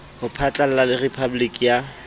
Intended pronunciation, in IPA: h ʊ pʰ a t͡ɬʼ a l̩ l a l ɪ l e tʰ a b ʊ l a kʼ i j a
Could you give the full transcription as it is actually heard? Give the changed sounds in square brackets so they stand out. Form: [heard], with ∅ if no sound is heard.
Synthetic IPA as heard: h ʊ pʰ a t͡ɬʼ a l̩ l a l ɪ [r] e [pʰ] a b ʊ l [i] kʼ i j a